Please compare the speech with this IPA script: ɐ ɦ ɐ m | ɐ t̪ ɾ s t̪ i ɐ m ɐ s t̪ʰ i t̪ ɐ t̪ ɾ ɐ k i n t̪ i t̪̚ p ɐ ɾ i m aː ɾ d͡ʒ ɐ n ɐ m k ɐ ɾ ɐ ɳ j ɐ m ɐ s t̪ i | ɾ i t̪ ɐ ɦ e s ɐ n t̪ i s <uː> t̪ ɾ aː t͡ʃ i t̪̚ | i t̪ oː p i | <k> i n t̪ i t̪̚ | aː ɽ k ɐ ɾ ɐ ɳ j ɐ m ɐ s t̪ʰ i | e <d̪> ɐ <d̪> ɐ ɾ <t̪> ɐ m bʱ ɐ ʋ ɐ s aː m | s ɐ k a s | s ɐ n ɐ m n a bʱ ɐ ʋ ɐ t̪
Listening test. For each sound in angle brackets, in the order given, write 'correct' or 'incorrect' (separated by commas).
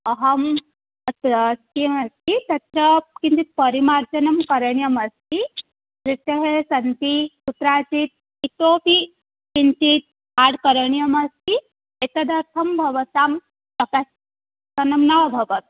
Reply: incorrect, correct, incorrect, correct, incorrect